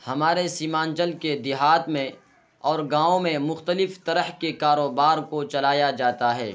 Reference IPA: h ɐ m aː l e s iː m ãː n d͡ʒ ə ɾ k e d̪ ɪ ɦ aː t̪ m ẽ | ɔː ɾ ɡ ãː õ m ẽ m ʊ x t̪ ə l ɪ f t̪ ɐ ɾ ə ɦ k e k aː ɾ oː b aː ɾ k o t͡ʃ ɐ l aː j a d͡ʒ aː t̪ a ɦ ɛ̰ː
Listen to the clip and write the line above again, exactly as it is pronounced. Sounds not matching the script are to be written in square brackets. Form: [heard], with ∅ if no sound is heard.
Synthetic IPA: h ɐ m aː [ɾ] e s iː m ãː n d͡ʒ ə [l] k e d̪ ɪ ɦ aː t̪ m ẽ | ɔː ɾ ɡ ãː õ m ẽ m ʊ x t̪ ə l ɪ f t̪ ɐ ɾ ə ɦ k e k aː ɾ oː b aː ɾ k o t͡ʃ ɐ l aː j a d͡ʒ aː t̪ a ɦ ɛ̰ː

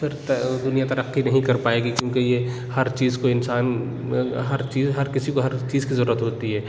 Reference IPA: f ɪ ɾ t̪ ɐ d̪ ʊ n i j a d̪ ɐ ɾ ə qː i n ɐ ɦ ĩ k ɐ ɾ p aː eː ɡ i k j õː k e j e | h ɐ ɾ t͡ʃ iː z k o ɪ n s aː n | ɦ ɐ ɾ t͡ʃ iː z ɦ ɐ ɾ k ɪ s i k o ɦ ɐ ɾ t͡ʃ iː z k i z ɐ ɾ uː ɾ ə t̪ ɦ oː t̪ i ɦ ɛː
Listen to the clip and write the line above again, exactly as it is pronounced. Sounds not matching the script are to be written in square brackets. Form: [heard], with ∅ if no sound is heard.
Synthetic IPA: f ɪ ɾ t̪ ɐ d̪ ʊ n i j a [t̪] ɐ ɾ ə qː i n ɐ ɦ ĩ k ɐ ɾ p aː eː ɡ i k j õː k e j e | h ɐ ɾ t͡ʃ iː z k o ɪ n s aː n | ɦ ɐ ɾ t͡ʃ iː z ɦ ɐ ɾ k ɪ s i k o ɦ ɐ ɾ t͡ʃ iː z k i z ɐ ɾ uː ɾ ə t̪ ɦ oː t̪ i ɦ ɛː

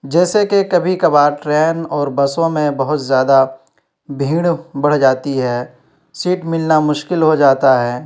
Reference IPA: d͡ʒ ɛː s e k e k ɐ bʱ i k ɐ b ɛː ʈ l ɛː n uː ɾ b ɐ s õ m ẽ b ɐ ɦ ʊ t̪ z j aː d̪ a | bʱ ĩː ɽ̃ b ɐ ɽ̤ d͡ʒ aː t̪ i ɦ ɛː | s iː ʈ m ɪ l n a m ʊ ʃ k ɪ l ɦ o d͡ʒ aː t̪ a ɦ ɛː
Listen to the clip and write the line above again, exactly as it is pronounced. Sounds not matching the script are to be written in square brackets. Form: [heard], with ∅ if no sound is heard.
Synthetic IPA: d͡ʒ ɛː s e k e k ɐ bʱ i k ɐ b [aː] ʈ [ɾ] ɛː n [ɔː] ɾ b ɐ s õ m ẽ b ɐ ɦ ʊ t̪ z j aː d̪ a | bʱ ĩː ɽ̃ b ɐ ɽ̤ d͡ʒ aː t̪ i ɦ ɛː | s iː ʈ m ɪ l n a m ʊ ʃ k ɪ l ɦ o d͡ʒ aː t̪ a ɦ ɛː

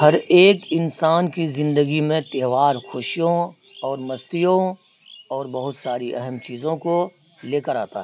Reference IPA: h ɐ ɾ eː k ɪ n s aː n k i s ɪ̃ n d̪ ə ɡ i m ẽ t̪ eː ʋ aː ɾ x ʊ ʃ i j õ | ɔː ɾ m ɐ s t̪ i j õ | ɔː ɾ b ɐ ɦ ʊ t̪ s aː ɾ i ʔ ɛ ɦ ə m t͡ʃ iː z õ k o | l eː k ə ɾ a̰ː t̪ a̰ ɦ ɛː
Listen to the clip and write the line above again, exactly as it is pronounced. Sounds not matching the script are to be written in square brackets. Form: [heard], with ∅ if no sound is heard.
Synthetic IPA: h ɐ ɾ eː k ɪ n s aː n k i [z] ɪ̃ n d̪ ə ɡ i m ẽ t̪ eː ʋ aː ɾ x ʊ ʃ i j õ | ɔː ɾ m ɐ s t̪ i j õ | ɔː ɾ b ɐ ɦ ʊ t̪ s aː ɾ i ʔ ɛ ɦ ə m t͡ʃ iː z õ k o | l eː k ə ɾ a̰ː t̪ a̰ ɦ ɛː

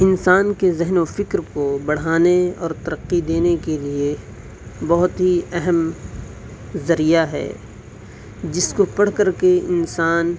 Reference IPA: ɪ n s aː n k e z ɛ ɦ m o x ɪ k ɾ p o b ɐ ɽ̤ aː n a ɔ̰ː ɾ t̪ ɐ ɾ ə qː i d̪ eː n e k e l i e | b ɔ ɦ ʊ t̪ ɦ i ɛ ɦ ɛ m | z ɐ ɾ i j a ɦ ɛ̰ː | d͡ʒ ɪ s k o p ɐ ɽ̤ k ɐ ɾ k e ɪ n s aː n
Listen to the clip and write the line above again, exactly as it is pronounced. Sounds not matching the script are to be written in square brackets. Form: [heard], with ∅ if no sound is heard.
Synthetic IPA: ɪ n s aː n k e z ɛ ɦ [n] o [f] ɪ k ɾ [k] o b ɐ ɽ̤ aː n [e] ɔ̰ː ɾ t̪ ɐ ɾ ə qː i d̪ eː n e k e l i e | b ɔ ɦ ʊ t̪ ɦ i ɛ ɦ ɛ m | z ɐ ɾ i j a ɦ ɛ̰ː | d͡ʒ ɪ s k o p ɐ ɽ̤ k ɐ ɾ k e ɪ n s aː n

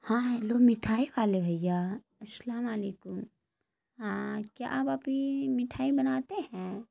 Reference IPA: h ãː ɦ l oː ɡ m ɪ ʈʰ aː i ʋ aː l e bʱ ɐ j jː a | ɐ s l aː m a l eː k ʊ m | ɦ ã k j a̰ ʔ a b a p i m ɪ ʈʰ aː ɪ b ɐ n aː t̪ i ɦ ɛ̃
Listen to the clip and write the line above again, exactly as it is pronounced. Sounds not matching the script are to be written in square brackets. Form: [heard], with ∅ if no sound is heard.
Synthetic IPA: h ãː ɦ l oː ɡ m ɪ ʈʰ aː i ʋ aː l e bʱ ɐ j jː a | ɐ s l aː m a l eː k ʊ m | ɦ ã k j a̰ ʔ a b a p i m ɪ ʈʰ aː [i] b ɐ n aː t̪ [e] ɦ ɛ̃

